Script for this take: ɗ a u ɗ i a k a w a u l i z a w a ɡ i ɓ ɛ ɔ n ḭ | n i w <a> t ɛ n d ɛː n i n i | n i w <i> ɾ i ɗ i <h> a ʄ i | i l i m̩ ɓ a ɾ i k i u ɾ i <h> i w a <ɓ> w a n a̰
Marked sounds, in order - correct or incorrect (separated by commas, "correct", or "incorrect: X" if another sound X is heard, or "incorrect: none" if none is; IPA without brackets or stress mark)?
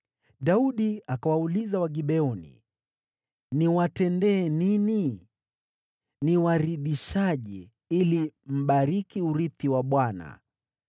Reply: correct, incorrect: a, incorrect: ʃ, incorrect: θ, correct